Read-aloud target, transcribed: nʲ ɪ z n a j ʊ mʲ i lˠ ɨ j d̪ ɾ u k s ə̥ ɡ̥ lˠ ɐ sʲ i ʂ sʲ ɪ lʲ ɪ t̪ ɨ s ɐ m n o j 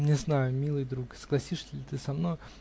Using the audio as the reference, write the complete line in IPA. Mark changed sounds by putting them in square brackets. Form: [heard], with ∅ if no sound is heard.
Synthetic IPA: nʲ ɪ z n a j ʊ mʲ i lˠ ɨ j d̪ ɾ u k s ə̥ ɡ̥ lˠ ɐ sʲ i ʂ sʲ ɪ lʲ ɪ t̪ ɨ s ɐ m n o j